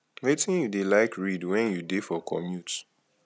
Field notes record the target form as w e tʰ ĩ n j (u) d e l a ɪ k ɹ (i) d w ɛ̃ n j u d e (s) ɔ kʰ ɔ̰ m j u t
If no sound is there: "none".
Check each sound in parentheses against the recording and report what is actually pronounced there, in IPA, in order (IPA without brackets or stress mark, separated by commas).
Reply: u, i, f